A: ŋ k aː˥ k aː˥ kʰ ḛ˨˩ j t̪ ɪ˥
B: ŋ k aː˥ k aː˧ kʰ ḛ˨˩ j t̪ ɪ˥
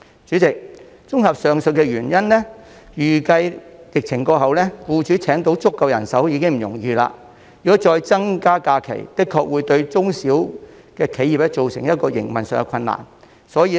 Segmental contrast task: B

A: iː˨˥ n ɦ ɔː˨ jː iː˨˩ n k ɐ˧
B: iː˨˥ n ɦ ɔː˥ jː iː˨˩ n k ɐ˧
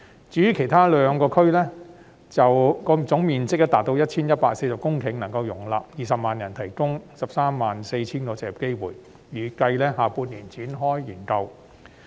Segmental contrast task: B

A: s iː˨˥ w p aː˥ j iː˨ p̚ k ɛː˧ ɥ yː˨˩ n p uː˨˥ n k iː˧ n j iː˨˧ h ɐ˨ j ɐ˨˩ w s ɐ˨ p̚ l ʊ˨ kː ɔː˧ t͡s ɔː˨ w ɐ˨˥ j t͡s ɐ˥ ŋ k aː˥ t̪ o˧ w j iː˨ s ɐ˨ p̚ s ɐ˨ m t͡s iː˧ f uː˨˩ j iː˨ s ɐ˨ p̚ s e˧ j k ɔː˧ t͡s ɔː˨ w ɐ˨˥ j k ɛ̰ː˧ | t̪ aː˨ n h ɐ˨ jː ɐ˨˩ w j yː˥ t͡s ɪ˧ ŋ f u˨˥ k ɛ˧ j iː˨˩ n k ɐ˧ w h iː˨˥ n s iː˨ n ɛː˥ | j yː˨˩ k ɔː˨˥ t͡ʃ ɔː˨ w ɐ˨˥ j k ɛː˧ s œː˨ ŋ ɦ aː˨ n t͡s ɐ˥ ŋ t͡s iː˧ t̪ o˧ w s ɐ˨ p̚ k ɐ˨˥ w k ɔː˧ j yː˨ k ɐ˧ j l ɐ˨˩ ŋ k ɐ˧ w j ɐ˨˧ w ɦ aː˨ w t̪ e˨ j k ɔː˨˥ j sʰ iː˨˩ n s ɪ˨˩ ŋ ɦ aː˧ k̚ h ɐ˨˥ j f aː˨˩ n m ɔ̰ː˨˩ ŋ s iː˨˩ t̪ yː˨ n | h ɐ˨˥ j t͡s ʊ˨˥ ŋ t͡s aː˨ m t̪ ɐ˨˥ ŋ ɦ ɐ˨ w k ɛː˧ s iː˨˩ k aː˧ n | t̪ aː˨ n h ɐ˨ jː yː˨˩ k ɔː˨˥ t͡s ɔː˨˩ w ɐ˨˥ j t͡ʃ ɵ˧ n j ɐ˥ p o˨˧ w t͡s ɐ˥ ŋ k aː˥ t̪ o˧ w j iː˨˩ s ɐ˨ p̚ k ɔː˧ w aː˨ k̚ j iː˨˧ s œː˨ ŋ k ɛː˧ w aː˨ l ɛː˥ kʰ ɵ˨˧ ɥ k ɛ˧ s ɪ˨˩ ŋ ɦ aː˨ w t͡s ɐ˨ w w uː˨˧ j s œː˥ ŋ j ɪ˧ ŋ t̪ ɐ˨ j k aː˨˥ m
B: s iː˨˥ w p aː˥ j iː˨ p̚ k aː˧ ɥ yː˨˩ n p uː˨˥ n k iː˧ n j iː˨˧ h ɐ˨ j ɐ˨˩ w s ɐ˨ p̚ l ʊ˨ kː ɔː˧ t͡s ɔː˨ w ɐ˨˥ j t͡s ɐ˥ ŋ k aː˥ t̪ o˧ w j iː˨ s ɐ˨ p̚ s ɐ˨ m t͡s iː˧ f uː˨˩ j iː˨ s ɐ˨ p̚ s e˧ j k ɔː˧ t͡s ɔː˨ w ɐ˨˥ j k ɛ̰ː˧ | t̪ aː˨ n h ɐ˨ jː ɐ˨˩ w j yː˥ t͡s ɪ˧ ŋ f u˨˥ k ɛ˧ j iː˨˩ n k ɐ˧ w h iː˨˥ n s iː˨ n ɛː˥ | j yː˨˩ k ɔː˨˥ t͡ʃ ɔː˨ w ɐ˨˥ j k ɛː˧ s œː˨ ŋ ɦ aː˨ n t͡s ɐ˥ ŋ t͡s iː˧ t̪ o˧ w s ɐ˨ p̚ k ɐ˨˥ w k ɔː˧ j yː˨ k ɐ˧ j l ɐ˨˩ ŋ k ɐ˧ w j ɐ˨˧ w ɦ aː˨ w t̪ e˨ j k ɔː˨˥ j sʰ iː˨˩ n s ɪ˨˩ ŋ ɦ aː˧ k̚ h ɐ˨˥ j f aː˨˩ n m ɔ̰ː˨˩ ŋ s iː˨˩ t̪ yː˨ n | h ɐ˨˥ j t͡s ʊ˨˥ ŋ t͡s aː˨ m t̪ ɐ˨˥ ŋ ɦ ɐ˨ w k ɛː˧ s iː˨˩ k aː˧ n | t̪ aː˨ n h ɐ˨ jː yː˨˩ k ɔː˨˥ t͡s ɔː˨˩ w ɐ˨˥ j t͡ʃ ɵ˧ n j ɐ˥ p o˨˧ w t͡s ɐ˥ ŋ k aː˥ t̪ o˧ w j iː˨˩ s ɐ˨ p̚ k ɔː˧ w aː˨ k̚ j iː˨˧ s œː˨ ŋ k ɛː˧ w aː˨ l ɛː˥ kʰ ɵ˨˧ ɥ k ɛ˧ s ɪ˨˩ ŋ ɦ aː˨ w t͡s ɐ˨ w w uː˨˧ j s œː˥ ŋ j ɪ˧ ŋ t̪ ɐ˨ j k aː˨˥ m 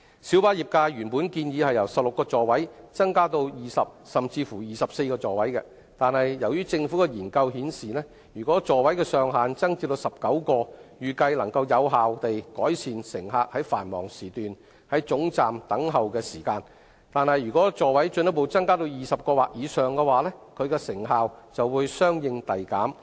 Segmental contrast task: B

